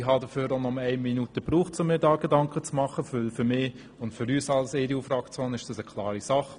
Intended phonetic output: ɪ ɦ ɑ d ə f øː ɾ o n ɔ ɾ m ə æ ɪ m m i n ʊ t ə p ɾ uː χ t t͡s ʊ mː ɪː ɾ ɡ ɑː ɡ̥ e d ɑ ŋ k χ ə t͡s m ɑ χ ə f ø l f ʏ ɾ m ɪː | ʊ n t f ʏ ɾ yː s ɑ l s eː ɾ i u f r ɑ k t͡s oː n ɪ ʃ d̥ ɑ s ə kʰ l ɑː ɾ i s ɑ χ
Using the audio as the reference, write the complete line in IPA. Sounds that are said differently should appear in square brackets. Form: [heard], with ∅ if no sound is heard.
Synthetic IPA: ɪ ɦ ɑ d ə f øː ɾ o n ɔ [∅] m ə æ ɪ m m i n [u] t ə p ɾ uː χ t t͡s ʊ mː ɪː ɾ [d] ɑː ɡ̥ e d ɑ ŋ k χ ə t͡s m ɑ χ ə f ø l f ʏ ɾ m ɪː | ʊ n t f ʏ ɾ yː s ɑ l s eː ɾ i u f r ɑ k t͡s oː n ɪ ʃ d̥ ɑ s ə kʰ l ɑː ɾ i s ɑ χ